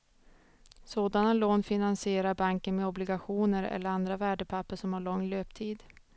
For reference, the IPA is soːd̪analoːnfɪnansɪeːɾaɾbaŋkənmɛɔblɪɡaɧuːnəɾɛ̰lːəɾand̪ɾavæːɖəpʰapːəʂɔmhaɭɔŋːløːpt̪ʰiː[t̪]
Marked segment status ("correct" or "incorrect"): incorrect